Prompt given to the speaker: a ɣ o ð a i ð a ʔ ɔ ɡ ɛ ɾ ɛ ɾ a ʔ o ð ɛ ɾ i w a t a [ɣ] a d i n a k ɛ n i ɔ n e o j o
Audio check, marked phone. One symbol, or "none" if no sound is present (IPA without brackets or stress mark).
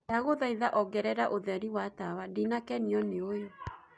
w